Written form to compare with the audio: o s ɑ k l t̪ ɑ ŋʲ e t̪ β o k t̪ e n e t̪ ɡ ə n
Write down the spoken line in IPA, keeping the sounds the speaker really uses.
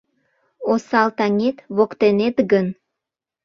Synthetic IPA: o s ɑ l t̪ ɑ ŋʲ e t̪ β o k t̪ e n e t̪ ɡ ə n